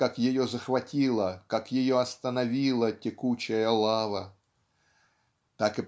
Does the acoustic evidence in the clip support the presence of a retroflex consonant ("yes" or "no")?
no